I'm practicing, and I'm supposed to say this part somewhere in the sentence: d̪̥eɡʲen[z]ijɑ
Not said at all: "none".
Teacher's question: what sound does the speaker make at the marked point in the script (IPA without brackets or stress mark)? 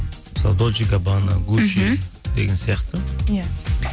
s